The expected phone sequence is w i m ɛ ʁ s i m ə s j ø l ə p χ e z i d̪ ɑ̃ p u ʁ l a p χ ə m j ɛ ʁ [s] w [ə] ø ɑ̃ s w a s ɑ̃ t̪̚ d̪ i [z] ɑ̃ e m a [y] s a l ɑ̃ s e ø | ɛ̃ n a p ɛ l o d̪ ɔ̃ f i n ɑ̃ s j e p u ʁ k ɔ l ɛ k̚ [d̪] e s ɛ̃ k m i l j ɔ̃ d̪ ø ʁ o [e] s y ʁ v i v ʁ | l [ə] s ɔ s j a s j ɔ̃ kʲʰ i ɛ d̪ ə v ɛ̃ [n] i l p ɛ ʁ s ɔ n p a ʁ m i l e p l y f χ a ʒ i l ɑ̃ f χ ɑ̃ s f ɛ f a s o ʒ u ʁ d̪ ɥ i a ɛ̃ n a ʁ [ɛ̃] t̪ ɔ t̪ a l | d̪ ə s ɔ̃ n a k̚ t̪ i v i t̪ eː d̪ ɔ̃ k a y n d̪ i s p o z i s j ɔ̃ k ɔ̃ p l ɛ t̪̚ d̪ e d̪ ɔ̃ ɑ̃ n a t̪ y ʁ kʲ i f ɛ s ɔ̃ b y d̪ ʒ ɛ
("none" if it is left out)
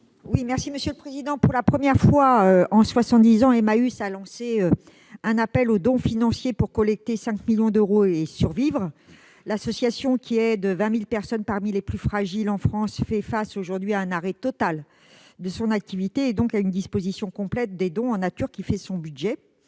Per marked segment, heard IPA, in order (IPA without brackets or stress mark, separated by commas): f, a, z, y, t̪, e, a, m, ɛ